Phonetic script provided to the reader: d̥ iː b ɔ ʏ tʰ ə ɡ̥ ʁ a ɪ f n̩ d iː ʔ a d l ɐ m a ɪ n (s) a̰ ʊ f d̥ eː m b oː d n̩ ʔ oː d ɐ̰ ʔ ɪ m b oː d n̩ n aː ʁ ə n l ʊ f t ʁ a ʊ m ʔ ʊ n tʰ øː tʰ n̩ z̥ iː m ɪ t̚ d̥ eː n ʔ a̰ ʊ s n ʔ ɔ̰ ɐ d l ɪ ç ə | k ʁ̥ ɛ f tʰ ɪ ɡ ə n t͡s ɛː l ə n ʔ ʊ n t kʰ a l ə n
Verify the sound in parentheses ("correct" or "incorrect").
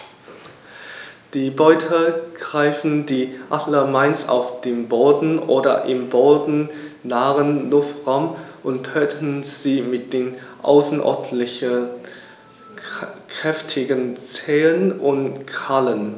correct